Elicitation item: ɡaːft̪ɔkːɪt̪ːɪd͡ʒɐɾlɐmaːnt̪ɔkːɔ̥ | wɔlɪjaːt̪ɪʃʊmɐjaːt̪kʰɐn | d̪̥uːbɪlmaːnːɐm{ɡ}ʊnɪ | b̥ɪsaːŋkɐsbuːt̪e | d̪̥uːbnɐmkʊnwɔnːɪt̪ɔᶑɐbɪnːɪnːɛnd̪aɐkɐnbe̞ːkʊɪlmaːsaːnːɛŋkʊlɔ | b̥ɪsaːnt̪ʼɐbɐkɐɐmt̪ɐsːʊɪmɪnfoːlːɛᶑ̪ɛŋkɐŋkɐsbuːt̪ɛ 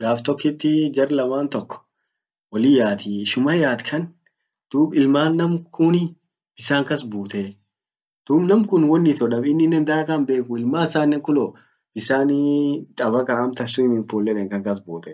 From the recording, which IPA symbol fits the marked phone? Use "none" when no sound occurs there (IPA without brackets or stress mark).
k